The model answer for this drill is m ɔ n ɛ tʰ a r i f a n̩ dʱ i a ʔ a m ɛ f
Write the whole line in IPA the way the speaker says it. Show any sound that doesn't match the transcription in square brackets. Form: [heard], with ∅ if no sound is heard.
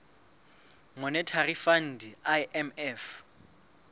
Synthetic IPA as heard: m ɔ n ɛ tʰ a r i f a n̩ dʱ i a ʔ [ɛ] m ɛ f

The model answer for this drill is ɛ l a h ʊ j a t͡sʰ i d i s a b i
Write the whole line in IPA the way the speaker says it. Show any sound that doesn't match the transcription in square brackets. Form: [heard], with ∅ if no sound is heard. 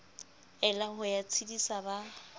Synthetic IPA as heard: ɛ l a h ʊ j a t͡sʰ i d i s a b [a]

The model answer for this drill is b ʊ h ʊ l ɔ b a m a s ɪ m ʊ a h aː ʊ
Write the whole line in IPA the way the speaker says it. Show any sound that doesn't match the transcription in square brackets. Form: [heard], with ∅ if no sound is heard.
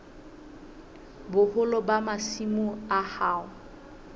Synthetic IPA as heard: b ʊ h ʊ l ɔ b a m a s [i] m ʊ a h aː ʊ

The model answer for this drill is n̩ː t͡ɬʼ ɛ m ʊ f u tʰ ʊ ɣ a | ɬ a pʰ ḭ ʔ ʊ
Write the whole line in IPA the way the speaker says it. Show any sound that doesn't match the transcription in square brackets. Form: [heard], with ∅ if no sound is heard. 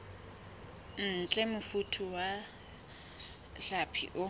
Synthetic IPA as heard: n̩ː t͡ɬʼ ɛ m ʊ f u tʰ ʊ [w] a | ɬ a pʰ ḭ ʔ ʊ

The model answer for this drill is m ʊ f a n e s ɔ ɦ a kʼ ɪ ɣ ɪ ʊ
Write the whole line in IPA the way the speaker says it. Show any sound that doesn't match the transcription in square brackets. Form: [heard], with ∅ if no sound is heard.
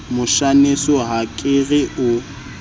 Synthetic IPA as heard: m ʊ [ʃ] a n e s ɔ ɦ a kʼ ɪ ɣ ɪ ʊ

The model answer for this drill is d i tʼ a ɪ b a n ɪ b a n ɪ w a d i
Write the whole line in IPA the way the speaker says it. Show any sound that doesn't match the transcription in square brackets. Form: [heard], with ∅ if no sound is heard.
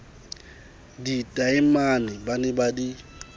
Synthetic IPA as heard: d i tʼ a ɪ [m] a n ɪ b a n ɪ [b] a d i

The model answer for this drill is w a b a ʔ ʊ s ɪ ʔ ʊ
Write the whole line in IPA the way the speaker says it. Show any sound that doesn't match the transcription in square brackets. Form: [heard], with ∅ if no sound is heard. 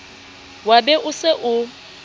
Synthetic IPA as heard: w a b [ɛ] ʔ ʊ s ɪ ʔ ʊ

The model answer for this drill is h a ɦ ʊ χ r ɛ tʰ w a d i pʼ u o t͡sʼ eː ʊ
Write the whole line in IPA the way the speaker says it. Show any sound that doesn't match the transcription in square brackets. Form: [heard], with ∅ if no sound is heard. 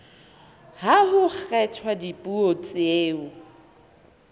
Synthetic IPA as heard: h a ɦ ʊ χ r ɛ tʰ w a d i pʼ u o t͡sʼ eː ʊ

